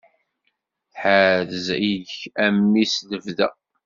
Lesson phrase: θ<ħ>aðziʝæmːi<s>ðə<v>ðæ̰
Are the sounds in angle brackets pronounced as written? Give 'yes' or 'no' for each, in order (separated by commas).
yes, yes, yes